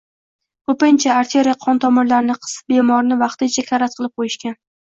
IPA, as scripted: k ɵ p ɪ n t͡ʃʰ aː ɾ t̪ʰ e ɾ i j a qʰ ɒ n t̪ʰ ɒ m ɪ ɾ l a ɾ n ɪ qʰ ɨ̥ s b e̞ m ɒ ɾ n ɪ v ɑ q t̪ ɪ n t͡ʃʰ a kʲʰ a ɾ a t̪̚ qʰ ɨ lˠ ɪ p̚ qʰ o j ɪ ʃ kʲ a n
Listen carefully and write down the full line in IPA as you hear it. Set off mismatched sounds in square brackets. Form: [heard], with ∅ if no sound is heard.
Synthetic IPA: k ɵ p ɪ n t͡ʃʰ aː ɾ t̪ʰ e ɾ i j a qʰ ɒ n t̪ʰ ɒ m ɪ ɾ l a ɾ n ɪ qʰ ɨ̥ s b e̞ m ɒ ɾ n ɪ v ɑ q t̪ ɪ n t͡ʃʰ a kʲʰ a ɾ a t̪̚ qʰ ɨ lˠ ɪ p̚ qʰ o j ɪ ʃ kʲ a n